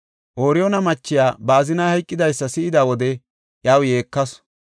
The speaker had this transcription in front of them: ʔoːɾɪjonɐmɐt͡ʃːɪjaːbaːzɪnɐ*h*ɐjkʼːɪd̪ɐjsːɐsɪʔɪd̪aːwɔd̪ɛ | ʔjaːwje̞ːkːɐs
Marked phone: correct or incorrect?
correct